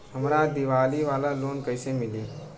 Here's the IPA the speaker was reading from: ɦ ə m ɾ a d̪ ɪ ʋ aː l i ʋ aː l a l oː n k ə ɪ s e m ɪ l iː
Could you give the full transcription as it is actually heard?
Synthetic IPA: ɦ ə m ɾ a d̪ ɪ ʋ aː l i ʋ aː l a l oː n k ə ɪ s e m ɪ l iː

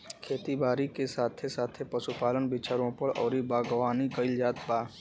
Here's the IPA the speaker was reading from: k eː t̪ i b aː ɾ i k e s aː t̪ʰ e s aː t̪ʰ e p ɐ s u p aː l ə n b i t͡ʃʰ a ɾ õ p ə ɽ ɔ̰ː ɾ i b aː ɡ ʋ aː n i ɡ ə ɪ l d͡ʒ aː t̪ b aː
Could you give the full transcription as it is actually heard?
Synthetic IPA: kʰ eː t̪ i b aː ɾ i k e s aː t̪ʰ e s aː t̪ʰ e p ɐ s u p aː l ə n b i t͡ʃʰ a ɾ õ p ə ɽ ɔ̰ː ɾ i b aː ɡ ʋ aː n i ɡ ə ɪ l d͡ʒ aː t̪ b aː

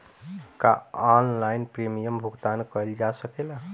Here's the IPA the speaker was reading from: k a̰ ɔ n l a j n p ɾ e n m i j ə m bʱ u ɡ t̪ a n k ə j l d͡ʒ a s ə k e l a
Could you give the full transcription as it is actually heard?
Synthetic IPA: k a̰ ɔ n l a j n p ɾ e m i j ə m bʱ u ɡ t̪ a n k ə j l d͡ʒ a s ə k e l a

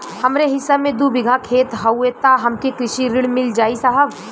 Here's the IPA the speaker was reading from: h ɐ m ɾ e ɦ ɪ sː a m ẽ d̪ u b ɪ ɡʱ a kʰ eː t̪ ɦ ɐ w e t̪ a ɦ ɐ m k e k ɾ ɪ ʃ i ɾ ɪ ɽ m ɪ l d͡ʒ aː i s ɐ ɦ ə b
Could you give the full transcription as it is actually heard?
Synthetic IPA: h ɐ m ɾ e ɦ ɪ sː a m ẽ d̪ u b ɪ ɡʱ a kʰ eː t̪ ɦ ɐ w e t̪ a ɦ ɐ m k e k ɾ ɪ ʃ i ɾ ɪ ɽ m ɪ l d͡ʒ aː i s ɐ ɦ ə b

